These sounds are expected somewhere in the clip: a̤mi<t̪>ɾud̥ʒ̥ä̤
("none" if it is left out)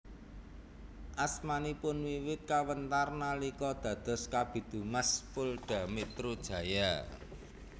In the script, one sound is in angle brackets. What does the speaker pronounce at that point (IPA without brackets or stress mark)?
t̪